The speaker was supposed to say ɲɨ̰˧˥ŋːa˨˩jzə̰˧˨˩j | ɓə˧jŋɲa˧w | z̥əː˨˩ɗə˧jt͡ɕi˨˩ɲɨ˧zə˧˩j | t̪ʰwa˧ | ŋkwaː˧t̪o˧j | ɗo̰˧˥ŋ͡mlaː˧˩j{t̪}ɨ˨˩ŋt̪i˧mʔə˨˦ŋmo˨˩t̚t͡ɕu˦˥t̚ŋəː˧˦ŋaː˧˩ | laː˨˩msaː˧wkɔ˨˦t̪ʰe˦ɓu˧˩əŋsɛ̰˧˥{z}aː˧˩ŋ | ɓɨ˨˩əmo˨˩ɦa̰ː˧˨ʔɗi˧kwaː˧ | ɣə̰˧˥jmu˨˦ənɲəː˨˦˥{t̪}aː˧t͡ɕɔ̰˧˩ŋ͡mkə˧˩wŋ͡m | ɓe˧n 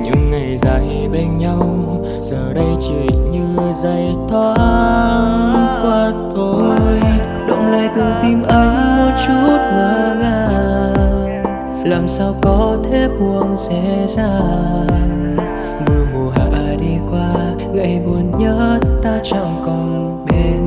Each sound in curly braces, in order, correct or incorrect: correct, correct, correct

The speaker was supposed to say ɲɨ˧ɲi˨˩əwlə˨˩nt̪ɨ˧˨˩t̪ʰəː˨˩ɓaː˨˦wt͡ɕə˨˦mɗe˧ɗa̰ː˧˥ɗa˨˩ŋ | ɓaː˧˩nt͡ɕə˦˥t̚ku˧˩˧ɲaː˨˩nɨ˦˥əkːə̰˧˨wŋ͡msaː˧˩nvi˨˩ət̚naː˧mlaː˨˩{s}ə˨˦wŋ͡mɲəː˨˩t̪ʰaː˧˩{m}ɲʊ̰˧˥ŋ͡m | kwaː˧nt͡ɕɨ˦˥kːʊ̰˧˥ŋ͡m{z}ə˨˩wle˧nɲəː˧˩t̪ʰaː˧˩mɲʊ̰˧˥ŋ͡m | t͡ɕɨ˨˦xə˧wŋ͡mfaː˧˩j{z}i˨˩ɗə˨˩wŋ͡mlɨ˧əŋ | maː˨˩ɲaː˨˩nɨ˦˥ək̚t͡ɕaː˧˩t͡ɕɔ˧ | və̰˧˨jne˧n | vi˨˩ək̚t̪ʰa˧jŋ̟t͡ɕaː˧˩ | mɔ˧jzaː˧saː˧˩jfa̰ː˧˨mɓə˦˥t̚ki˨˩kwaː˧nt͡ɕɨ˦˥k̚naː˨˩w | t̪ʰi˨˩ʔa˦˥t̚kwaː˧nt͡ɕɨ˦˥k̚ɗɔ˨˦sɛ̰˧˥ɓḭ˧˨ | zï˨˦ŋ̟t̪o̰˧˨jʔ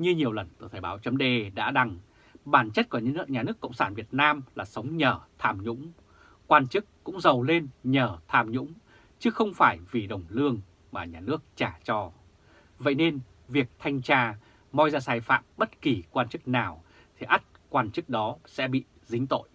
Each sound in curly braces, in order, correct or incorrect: correct, correct, correct, incorrect: v

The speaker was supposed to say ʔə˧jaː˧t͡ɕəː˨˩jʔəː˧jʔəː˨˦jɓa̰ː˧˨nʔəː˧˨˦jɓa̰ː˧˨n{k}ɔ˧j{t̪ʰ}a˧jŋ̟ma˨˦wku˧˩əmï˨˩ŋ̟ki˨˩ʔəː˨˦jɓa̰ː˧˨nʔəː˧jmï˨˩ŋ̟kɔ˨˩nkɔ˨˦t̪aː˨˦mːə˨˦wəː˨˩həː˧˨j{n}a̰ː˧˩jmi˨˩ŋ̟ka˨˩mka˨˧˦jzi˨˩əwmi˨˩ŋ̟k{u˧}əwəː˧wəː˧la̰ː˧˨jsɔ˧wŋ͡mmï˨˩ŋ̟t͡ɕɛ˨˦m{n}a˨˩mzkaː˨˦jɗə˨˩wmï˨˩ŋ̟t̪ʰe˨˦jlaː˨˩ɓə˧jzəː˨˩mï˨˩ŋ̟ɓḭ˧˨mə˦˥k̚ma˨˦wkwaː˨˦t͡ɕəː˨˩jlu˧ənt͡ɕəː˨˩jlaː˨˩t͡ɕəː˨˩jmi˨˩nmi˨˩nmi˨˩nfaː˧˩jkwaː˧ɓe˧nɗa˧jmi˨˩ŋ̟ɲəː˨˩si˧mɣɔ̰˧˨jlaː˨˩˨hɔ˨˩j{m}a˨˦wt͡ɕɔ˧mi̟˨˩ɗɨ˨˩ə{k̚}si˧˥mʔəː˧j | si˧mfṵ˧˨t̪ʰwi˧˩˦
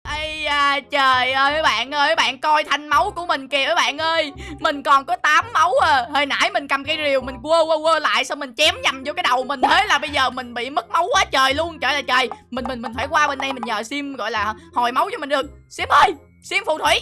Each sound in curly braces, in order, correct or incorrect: correct, correct, correct, correct, incorrect: ɲ, correct, correct

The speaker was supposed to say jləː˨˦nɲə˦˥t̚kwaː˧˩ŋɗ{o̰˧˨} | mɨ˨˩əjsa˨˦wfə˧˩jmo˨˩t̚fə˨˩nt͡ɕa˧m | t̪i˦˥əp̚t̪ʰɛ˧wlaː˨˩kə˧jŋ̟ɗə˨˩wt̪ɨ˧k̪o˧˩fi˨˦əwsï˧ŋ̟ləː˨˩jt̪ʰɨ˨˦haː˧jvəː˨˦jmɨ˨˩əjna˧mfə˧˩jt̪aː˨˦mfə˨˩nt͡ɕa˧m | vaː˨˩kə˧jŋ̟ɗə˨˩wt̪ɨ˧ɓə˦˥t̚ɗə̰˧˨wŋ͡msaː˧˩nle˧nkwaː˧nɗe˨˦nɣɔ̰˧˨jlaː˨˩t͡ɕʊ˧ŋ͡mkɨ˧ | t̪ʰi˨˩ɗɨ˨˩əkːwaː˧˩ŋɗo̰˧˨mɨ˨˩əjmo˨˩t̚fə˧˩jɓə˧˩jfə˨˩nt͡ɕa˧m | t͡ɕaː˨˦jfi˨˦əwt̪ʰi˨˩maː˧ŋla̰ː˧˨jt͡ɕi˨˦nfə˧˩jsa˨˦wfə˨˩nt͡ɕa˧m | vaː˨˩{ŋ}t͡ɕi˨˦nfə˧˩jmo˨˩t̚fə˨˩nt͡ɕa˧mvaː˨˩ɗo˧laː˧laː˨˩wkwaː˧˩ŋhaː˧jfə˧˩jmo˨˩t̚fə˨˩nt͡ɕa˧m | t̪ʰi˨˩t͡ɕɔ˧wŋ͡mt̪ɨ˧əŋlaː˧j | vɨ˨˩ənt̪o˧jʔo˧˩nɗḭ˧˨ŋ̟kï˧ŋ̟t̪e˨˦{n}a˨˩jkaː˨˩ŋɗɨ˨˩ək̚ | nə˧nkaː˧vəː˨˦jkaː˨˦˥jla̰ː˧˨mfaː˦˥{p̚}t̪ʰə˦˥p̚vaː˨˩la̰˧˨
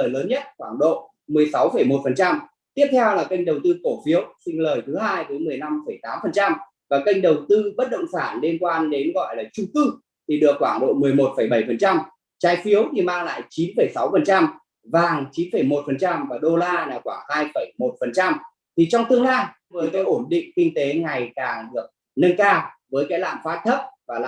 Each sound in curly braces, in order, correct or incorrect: correct, correct, incorrect: ŋ, incorrect: t̚

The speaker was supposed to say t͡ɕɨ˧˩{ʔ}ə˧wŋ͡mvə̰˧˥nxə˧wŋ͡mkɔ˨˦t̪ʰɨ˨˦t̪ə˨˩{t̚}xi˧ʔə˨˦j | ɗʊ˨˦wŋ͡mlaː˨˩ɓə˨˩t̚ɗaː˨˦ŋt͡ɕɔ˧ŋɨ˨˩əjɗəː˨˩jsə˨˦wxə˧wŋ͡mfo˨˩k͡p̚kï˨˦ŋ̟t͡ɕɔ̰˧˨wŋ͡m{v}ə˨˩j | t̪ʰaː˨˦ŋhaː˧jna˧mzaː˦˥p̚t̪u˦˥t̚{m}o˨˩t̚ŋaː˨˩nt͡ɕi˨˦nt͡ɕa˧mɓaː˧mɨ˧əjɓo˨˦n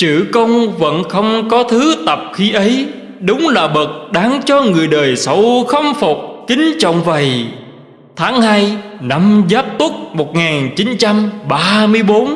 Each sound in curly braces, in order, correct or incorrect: incorrect: k, incorrect: p̚, correct, correct

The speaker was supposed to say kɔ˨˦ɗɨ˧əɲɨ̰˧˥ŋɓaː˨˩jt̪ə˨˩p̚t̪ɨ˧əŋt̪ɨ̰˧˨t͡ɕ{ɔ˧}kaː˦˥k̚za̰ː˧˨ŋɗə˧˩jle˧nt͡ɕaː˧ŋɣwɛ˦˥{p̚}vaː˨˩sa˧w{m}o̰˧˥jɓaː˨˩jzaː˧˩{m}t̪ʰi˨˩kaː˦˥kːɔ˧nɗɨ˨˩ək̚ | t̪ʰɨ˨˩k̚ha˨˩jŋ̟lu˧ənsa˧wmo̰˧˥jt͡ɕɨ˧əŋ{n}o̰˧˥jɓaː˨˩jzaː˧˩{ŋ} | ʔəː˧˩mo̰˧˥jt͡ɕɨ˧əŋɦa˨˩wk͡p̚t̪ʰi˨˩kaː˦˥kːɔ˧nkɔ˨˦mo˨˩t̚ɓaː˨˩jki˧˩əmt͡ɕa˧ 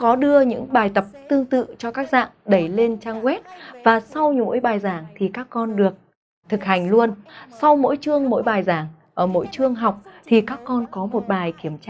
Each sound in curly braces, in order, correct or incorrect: correct, incorrect: t̚, incorrect: ɲ, incorrect: ŋ, incorrect: m, correct

